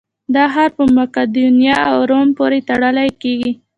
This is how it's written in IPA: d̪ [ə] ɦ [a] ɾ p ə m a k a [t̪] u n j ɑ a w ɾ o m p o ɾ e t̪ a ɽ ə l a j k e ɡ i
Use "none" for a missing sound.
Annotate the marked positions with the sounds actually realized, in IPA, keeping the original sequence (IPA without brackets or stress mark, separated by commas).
ɑ, a, d̪